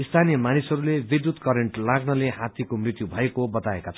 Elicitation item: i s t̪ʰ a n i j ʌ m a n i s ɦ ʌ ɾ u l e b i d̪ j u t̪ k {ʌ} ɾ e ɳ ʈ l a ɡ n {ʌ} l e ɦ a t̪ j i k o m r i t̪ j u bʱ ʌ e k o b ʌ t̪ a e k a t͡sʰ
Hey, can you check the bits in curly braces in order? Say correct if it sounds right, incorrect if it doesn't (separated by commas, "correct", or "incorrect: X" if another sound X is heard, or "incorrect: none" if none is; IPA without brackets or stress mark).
correct, correct